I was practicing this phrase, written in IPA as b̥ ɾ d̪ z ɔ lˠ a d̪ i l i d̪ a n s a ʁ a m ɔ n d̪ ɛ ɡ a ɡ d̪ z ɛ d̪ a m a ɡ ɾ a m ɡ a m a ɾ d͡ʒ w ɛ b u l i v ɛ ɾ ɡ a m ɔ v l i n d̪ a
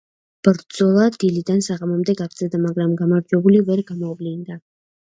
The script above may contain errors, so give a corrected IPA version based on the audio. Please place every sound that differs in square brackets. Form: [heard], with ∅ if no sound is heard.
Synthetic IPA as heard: b̥ ɾ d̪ z ɔ lˠ a d̪ i l i d̪ a n s a ʁ a m ɔ [m] d̪ ɛ ɡ a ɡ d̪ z ɛ d̪ a m a ɡ ɾ a m ɡ a m a ɾ d͡ʒ w ɛ b u l i v ɛ ɾ ɡ a m ɔ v l i n d̪ a